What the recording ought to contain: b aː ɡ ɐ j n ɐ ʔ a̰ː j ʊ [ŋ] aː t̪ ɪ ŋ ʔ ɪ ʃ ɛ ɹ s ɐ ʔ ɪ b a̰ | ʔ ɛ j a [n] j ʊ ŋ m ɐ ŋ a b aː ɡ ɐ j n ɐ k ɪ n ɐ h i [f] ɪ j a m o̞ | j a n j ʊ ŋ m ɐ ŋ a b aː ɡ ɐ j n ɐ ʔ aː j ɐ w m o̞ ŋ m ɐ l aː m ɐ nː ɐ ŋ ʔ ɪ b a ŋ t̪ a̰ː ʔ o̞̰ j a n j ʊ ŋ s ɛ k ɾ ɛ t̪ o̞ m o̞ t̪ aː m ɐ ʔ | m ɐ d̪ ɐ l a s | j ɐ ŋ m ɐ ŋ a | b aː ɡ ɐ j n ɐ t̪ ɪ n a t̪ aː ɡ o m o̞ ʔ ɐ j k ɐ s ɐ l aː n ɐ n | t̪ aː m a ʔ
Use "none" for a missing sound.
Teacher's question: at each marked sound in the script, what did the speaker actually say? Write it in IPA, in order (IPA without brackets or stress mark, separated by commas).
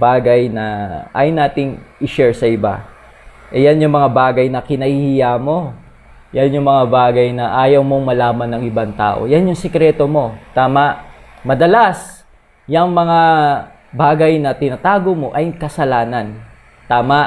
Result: n, n, h